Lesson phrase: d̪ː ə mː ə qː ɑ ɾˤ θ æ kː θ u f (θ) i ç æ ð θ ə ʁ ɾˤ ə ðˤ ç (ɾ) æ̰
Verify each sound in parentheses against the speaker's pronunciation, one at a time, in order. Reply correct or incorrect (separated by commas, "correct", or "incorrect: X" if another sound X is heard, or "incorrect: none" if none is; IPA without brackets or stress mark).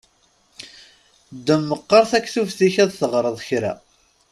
correct, correct